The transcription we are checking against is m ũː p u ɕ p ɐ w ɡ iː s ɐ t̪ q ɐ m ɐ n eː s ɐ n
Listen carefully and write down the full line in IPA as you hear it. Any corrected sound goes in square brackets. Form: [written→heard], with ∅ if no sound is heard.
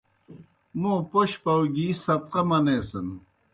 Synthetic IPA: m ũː p [u→o] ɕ p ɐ w ɡ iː s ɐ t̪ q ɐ m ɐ n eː s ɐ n